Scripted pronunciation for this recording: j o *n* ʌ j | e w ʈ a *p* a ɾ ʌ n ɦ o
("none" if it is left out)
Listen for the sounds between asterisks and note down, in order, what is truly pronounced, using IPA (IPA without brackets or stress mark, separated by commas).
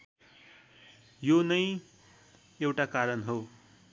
n, k